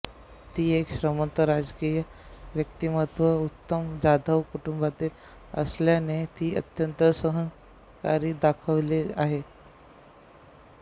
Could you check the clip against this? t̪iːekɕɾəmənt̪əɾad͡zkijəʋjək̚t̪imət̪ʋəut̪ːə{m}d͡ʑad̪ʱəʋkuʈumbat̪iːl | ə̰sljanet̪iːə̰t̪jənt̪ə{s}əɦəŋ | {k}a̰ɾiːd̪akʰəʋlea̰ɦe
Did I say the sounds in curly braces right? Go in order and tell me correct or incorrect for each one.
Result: correct, correct, correct

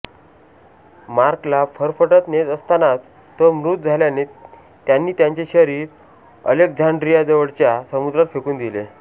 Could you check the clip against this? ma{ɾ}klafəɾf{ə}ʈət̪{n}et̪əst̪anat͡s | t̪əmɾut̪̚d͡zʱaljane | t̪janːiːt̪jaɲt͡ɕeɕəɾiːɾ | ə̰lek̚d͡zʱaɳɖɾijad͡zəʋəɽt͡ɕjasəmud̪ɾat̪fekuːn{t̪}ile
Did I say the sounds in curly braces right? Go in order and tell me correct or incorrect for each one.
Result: correct, correct, correct, incorrect: d̪

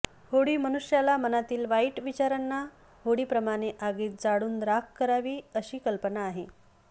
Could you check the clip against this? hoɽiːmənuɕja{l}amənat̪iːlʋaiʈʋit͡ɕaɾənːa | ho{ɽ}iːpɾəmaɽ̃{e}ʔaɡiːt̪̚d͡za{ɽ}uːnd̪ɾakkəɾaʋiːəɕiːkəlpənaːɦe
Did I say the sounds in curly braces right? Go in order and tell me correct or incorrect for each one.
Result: correct, correct, correct, correct

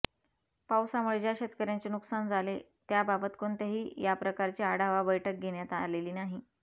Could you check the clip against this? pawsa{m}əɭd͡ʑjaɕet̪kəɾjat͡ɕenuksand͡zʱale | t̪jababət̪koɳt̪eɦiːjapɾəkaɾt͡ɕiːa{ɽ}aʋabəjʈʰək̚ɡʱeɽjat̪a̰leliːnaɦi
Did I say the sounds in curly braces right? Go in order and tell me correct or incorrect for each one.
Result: correct, correct

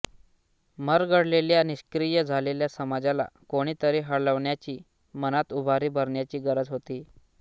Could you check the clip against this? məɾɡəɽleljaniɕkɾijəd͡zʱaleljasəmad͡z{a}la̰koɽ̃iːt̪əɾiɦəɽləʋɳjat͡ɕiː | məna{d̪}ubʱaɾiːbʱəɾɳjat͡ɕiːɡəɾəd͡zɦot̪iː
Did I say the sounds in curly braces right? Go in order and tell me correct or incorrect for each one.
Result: correct, incorrect: t̪

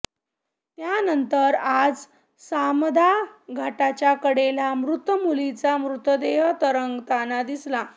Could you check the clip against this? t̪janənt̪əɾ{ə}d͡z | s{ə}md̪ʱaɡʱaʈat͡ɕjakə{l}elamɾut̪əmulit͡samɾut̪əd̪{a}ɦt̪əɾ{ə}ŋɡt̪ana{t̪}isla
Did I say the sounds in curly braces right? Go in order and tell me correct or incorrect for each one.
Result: incorrect: a, incorrect: a, incorrect: ɽ, incorrect: e, correct, incorrect: d̪

